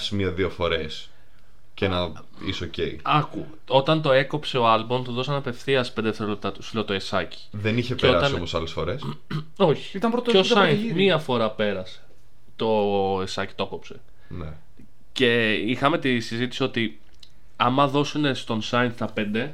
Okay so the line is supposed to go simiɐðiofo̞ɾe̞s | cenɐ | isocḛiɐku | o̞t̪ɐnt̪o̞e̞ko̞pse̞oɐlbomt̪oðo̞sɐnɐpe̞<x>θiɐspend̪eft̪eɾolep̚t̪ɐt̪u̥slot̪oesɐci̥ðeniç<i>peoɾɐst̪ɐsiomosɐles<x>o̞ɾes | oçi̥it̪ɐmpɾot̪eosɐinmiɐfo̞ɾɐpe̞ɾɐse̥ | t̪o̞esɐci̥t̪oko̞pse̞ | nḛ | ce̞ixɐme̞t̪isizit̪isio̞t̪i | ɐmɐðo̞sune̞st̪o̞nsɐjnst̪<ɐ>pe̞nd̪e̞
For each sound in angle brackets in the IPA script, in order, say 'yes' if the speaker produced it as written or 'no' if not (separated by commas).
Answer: no, no, no, yes